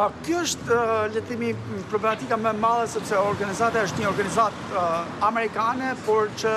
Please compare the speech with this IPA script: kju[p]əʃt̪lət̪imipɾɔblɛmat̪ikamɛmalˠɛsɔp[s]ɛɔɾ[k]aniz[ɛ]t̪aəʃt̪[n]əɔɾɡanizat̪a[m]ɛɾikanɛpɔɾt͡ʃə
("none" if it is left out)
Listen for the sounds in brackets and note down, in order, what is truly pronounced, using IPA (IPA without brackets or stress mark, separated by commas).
none, s, ɡ, a, ɲ, m